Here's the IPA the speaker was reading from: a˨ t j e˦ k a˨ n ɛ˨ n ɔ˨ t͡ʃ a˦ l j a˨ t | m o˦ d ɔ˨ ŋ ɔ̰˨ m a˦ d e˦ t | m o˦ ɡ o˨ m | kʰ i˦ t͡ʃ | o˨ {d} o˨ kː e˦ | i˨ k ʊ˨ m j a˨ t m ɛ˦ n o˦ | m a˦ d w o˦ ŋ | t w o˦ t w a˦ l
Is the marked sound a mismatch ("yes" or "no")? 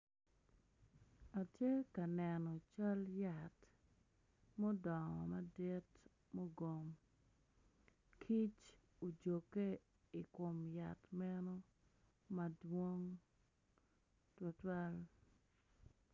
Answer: yes